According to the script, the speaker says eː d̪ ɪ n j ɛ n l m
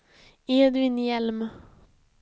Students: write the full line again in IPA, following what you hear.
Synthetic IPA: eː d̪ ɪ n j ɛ l m